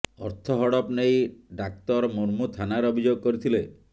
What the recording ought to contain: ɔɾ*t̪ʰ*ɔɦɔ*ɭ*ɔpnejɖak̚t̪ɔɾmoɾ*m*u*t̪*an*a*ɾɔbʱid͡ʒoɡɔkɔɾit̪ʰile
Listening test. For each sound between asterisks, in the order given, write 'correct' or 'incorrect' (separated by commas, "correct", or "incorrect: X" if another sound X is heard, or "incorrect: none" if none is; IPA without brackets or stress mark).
correct, incorrect: ɽ, correct, incorrect: t̪ʰ, correct